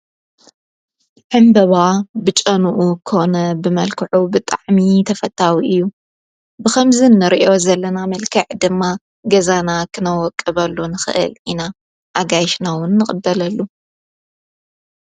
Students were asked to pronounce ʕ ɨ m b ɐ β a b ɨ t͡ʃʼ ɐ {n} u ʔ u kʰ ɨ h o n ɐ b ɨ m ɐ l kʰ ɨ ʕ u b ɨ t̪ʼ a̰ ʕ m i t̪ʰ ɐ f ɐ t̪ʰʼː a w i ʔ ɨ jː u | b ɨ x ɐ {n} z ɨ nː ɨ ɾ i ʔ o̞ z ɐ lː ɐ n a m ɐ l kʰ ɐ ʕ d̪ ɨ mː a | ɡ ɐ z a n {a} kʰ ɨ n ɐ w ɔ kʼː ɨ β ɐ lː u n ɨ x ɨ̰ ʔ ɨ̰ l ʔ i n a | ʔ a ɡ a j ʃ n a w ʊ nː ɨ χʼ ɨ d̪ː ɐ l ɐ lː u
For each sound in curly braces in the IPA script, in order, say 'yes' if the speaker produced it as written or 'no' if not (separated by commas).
yes, no, yes